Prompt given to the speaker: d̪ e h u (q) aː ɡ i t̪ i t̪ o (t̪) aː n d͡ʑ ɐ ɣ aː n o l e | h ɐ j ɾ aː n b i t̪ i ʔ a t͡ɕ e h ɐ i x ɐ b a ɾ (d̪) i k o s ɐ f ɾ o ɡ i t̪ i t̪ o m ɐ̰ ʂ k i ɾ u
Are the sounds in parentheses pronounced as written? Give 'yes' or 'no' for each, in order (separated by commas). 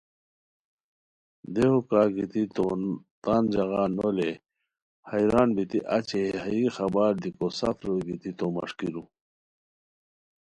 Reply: no, yes, yes